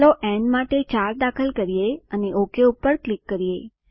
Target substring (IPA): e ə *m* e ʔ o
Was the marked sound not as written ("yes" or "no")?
yes